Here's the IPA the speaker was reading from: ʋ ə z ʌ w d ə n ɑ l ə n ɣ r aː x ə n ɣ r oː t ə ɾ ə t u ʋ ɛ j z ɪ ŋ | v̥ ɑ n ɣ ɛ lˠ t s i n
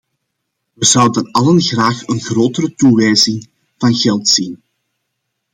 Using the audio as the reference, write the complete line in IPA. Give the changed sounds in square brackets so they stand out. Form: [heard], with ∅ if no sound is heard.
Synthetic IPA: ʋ ə z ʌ w d ə n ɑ l ə n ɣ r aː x ə n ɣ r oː t ə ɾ ə t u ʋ ɛ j z ɪ ŋ | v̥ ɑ n ɣ ɛ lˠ t s i n